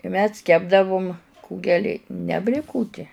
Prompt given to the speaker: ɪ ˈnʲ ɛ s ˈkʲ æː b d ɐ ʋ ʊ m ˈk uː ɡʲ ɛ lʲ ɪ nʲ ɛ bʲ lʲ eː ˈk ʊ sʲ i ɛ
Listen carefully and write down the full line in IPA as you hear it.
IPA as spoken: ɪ ˈmʲ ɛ s ˈkʲ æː b d ɐ ʋ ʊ m ˈk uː ɡʲ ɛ lʲ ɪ nʲ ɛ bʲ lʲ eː ˈk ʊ tʲ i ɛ